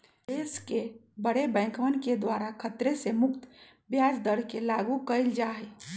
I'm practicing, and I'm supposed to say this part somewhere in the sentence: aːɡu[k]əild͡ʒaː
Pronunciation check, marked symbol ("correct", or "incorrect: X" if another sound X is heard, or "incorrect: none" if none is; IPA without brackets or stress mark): correct